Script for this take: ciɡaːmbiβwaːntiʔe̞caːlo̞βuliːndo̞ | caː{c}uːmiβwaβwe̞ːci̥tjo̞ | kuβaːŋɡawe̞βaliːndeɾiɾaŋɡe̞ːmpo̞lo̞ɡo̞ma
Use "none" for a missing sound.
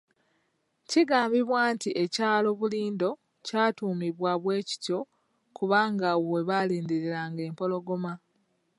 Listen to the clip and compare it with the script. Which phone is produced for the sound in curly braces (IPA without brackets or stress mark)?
t